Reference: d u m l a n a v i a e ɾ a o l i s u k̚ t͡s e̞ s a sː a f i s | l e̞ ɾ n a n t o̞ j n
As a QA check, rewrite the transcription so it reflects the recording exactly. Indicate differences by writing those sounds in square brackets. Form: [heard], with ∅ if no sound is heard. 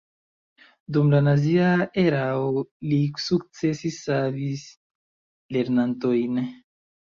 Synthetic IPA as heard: d u m l a n a [z] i a e ɾ a o l i s u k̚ t͡s e̞ s [i] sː a [v] i s | l e̞ ɾ n a n t o̞ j n